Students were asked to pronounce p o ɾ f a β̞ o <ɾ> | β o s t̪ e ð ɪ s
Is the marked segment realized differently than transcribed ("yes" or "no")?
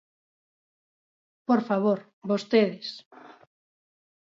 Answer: no